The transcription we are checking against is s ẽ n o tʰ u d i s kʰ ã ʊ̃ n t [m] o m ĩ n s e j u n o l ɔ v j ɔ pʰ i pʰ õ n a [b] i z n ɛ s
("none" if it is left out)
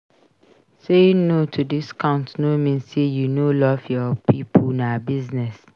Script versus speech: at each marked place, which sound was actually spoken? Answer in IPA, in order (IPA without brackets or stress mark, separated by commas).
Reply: n, b